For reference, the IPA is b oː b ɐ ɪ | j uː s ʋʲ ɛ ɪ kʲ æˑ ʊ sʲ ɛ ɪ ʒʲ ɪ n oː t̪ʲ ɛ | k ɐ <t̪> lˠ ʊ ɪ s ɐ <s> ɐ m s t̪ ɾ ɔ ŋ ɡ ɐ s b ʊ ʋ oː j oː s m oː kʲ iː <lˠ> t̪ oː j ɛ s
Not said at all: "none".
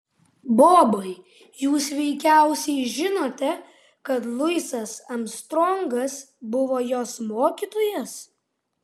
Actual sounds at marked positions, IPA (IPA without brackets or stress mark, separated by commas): t̪, s, none